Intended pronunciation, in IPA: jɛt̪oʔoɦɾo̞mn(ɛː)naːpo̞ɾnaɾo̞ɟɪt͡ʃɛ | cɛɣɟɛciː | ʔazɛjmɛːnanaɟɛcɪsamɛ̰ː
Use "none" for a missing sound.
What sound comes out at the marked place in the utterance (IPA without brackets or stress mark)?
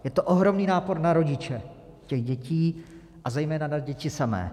iː